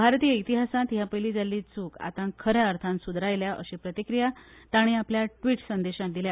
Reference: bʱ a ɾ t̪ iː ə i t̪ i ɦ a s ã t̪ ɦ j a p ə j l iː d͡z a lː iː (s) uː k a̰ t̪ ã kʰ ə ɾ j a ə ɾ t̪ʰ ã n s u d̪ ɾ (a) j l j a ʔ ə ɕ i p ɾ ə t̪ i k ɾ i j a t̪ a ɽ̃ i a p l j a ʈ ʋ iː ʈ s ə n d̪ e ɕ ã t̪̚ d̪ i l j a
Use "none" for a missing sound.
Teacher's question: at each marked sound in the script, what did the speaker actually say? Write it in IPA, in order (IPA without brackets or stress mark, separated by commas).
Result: t͡s, a